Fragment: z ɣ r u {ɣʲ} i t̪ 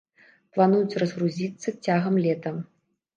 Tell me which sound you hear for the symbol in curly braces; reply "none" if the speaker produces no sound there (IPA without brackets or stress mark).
zʲ